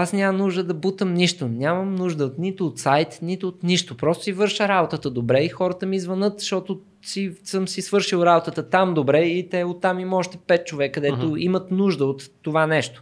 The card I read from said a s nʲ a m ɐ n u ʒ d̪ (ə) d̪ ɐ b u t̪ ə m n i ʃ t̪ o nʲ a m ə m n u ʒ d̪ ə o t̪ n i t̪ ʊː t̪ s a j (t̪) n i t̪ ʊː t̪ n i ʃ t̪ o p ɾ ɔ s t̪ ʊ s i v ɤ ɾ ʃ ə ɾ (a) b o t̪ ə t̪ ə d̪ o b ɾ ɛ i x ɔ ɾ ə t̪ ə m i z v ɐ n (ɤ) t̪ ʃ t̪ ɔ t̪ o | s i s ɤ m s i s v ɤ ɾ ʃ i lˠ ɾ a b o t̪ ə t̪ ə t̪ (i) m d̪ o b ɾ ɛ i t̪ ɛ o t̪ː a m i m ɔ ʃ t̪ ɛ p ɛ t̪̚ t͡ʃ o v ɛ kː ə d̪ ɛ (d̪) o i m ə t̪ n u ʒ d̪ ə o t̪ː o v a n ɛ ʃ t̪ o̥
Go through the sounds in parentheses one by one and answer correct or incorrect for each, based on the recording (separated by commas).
correct, correct, correct, correct, incorrect, incorrect